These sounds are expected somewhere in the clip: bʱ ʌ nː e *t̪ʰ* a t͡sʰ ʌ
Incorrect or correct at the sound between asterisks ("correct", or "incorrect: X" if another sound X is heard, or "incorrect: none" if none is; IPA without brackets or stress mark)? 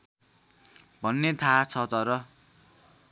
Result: correct